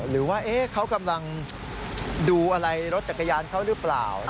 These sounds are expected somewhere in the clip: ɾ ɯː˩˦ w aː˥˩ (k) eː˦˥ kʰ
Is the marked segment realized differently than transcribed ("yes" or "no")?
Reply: yes